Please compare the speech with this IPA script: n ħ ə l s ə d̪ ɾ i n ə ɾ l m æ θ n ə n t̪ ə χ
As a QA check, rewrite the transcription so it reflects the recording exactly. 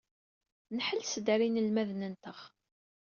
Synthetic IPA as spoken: n ħ ə l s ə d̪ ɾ i n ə l m æ ð n ə n t̪ ə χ